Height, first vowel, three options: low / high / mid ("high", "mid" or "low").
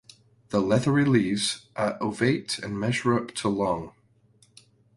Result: mid